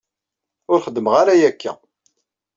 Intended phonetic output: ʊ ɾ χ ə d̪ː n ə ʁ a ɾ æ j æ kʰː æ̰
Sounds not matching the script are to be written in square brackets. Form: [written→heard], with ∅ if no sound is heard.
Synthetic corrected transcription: ʊ ɾ χ ə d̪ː [n→m] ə ʁ a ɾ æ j æ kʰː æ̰